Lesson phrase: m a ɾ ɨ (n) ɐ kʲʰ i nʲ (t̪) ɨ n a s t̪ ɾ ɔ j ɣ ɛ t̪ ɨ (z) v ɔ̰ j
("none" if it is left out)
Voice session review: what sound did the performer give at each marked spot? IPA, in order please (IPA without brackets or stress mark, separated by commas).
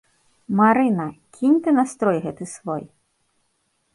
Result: n, t̪, s